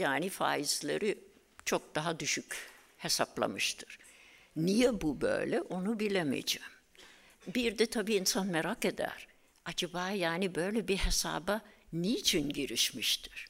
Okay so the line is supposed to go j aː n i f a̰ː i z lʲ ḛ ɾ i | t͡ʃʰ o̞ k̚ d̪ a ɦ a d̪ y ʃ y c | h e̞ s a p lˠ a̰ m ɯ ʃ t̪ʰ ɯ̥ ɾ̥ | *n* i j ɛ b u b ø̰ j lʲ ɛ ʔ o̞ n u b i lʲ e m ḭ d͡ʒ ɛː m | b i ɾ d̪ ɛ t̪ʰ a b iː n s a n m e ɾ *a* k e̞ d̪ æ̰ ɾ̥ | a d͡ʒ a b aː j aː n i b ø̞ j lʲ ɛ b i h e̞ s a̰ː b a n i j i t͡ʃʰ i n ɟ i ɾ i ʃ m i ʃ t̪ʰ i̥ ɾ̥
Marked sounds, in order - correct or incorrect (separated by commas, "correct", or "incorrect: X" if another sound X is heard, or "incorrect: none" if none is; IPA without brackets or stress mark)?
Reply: correct, correct